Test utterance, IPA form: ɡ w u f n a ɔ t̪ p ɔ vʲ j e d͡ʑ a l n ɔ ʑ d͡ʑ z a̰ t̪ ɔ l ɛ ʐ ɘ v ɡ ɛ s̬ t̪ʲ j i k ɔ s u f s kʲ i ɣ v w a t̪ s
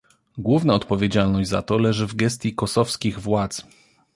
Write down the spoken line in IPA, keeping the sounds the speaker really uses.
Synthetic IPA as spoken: ɡ w u v n a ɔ t̪ p ɔ vʲ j e d͡ʑ a l n ɔ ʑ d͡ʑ z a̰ t̪ ɔ l ɛ ʐ ɘ v ɡ ɛ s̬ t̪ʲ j i k ɔ s ɔ f s kʲ i ɣ v w a t̪ s